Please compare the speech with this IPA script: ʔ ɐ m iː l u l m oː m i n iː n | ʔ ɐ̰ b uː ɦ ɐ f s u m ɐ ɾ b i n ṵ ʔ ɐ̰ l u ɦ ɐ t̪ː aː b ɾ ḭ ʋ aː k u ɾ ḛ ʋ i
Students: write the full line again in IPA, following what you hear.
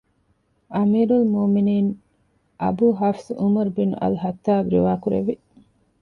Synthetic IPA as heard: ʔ ɐ m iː ɾ u l m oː m i n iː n | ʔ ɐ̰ b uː ɦ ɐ f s u m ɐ ɾ b i n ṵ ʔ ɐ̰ l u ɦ ɐ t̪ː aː b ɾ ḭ ʋ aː k u ɾ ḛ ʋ i